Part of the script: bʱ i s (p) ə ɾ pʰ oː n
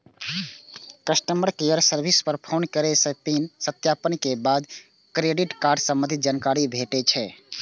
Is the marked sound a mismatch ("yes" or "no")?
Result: no